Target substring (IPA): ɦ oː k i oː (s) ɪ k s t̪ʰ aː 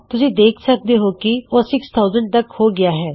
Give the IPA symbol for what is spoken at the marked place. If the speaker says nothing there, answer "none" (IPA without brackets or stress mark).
s